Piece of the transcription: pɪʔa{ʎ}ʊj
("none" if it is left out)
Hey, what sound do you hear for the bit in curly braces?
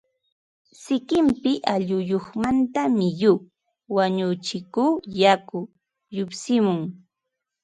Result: ʎ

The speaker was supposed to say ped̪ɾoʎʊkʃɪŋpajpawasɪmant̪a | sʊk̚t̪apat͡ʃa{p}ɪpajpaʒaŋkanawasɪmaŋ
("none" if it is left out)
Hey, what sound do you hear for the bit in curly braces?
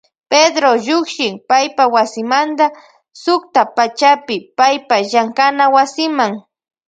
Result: p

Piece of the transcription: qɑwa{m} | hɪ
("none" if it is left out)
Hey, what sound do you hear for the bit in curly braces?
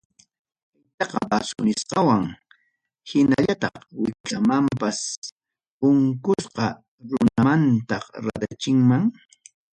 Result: ŋ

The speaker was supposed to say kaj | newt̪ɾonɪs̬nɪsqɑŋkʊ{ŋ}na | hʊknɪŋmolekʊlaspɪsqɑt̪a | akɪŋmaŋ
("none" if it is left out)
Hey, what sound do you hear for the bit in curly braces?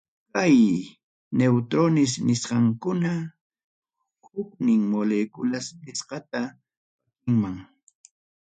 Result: none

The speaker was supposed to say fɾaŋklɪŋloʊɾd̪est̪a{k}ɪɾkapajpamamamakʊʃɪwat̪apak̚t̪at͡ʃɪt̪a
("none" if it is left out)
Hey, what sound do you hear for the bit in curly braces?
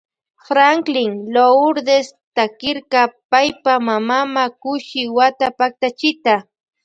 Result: k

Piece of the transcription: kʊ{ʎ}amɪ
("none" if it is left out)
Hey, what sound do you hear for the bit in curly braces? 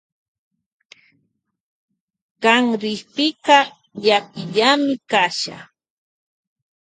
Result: ʎ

